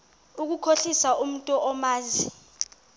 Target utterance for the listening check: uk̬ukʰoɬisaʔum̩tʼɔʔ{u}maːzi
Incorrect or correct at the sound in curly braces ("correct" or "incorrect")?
incorrect